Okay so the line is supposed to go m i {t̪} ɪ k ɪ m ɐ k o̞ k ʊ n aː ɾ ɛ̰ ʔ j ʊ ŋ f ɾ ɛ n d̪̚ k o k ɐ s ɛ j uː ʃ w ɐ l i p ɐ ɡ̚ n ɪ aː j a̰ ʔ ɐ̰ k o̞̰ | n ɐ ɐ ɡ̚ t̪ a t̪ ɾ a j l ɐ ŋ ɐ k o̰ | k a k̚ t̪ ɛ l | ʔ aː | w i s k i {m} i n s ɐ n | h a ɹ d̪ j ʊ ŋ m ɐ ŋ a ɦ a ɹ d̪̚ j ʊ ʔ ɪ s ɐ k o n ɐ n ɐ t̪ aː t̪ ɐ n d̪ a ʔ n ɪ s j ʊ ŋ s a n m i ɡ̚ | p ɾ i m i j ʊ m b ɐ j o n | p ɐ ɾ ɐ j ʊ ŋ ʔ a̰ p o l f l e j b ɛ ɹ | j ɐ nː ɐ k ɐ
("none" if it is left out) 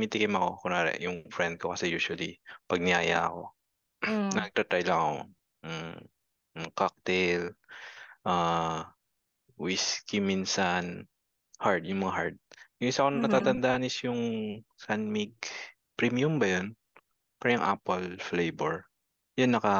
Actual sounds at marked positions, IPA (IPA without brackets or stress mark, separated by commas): t̪, m